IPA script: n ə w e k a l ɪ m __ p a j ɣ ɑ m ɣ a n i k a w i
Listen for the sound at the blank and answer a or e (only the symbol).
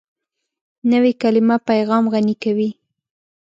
a